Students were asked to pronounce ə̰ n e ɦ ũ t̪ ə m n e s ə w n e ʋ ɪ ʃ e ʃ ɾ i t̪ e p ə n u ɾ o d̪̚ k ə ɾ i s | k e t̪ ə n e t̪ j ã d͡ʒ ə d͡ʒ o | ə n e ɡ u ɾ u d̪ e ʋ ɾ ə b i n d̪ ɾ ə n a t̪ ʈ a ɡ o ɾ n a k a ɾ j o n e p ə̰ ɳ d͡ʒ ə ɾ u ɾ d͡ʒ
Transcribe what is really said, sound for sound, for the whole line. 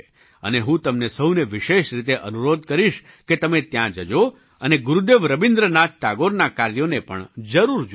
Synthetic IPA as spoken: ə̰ n e ɦ ũ t̪ ə m n e s ə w n e ʋ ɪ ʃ e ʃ ɾ i t̪ e ʔ ə n u ɾ o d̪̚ k ə ɾ i ʃ | k e t̪ ə m e t̪ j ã d͡ʒ ə d͡ʒ o | ə n e ɡ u ɾ u d̪ e ʋ ɾ ə b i n d̪ ɾ ə n a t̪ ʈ a ɡ o ɾ n a k a ɾ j o n e p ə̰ ɳ d͡ʒ ə ɾ u ɾ d͡ʒ